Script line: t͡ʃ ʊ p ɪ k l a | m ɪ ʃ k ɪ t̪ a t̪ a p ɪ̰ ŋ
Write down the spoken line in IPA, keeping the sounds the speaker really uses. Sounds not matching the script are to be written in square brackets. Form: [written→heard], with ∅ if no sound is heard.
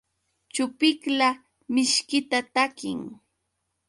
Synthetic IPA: t͡ʃ ʊ p ɪ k l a | m ɪ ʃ k ɪ t̪ a t̪ a [p→k] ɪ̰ ŋ